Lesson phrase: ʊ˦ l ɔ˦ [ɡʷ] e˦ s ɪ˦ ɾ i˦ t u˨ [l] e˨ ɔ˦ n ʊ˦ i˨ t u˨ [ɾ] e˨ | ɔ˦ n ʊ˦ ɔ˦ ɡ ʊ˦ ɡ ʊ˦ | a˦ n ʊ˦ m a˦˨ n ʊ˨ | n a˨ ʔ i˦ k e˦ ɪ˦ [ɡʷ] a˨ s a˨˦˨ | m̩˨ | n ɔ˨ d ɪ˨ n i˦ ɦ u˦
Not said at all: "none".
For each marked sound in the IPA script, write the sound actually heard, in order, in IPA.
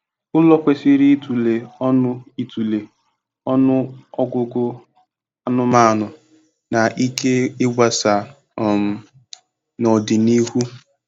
kʷ, l, l, ɡʷ

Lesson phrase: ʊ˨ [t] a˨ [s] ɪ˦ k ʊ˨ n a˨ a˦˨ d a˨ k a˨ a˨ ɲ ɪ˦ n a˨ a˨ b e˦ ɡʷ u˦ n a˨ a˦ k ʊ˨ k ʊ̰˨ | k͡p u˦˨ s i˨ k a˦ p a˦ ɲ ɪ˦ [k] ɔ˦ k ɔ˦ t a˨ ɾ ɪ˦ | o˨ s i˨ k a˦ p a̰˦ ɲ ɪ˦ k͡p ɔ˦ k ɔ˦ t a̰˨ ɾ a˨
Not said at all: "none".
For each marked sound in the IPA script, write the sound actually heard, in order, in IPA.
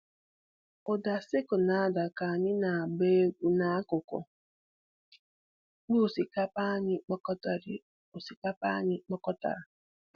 d, s, k͡p

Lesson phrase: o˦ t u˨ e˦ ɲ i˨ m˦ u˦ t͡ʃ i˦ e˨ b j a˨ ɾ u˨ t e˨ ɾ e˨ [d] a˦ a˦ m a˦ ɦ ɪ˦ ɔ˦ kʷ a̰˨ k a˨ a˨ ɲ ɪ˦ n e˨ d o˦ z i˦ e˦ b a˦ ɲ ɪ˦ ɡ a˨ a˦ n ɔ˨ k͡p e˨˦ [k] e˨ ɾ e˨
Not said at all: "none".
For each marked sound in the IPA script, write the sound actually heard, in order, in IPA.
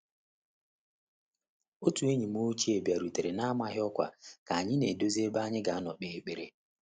n, k͡p

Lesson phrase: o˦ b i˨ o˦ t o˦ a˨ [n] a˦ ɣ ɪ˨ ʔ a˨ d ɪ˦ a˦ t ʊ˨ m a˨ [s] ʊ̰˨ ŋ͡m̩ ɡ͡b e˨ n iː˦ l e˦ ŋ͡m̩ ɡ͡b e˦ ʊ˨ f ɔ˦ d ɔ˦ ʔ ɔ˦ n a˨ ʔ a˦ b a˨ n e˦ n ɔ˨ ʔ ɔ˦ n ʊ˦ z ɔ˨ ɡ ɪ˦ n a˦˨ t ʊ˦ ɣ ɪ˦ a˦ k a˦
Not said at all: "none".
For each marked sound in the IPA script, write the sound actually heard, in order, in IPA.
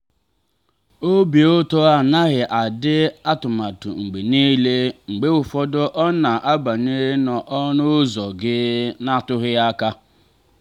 n, t

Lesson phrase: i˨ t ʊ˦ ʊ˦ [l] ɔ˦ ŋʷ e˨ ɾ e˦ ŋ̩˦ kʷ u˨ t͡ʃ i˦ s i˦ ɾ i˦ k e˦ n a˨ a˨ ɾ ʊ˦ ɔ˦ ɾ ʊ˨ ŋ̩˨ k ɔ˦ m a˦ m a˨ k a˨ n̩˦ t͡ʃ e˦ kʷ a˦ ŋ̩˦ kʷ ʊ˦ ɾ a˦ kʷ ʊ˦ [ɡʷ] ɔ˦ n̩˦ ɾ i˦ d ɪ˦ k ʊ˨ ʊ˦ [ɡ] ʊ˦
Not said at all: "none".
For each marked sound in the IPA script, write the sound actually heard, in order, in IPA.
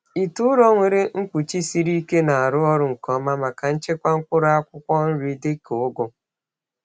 ɾ, kʷ, ɡ

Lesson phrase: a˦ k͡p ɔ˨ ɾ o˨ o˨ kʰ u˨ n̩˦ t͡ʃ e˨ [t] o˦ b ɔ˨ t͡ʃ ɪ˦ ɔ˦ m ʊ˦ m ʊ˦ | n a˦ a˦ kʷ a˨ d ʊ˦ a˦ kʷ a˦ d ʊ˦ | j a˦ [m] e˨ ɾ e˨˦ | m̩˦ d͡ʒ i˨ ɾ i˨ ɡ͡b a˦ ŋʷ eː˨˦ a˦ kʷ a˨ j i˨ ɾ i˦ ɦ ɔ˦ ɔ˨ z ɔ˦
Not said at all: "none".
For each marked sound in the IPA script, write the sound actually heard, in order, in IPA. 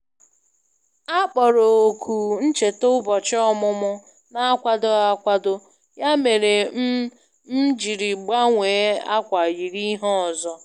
t, m

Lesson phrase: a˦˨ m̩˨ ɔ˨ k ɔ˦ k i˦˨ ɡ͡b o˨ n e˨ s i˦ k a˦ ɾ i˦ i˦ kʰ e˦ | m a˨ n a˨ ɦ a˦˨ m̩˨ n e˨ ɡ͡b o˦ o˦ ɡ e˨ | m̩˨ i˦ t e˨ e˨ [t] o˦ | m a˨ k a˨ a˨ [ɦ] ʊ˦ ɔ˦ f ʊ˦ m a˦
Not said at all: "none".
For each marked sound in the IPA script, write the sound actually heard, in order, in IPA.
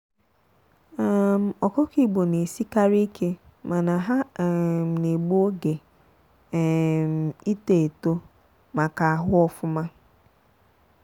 t, ɦ

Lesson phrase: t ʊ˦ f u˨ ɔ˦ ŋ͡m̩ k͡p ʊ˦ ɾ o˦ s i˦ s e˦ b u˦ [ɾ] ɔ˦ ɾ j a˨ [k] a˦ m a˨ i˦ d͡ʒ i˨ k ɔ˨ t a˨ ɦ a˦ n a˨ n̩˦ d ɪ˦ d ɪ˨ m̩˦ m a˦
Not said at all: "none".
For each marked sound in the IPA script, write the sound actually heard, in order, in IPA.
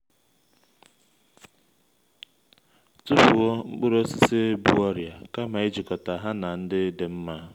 none, k

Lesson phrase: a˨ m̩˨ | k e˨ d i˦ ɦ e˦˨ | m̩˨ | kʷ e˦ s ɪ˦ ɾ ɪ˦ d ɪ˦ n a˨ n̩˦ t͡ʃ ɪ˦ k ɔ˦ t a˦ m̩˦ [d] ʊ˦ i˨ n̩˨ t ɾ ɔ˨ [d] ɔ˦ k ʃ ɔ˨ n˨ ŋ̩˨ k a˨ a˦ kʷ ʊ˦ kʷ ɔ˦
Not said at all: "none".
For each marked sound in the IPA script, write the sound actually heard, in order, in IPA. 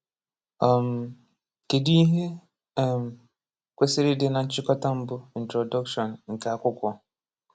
b, d

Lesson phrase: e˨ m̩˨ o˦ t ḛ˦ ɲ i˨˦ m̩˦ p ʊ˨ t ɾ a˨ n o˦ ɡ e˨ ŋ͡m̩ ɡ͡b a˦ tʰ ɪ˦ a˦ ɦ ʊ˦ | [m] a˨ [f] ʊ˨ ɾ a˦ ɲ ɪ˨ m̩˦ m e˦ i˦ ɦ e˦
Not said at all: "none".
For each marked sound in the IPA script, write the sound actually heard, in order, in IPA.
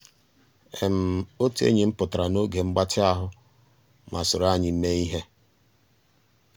m, s

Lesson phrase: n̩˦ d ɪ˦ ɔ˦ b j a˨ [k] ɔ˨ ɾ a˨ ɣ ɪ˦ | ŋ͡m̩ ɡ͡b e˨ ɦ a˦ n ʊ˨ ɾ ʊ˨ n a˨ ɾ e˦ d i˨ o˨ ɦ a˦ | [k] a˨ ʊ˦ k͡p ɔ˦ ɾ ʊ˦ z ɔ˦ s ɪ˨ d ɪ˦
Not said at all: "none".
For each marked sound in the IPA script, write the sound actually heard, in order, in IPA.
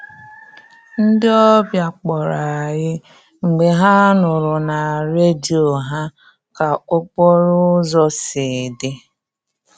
k͡p, k

